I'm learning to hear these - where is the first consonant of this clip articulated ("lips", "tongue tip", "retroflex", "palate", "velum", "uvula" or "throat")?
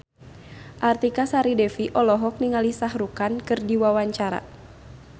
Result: throat